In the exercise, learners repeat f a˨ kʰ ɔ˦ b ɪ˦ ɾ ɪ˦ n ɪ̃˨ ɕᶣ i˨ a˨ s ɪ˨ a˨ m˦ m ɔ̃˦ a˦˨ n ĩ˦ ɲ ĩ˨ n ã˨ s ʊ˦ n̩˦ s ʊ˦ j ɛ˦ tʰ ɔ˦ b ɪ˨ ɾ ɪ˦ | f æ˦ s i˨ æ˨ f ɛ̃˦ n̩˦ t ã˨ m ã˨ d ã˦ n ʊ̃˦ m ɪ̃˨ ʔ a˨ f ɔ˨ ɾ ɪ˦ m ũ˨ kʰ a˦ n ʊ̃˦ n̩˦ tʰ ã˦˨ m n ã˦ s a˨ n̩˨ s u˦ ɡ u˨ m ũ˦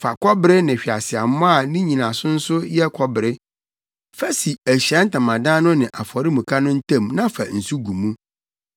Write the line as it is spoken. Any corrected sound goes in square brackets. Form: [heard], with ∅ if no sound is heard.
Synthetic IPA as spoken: f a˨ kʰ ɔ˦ b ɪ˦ ɾ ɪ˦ n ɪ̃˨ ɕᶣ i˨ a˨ s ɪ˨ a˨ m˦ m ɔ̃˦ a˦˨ n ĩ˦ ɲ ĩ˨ n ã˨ s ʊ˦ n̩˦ s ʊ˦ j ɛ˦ [kʰ] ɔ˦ b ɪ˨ ɾ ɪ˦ | f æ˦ s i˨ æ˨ [ɕ] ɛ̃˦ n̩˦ t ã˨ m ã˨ d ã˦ n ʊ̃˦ [n] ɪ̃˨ ʔ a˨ f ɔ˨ ɾ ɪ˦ m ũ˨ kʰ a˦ n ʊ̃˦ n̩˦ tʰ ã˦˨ m n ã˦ [f] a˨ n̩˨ s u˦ ɡ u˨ m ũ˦